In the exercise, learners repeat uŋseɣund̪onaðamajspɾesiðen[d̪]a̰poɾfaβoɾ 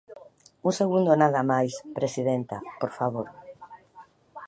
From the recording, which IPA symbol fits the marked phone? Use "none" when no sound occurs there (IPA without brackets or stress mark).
t̪